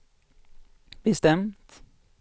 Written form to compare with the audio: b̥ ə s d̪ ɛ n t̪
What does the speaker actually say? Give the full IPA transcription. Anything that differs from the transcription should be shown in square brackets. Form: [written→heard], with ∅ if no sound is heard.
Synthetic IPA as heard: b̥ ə s [d̪→t̪] ɛ [n→m] t̪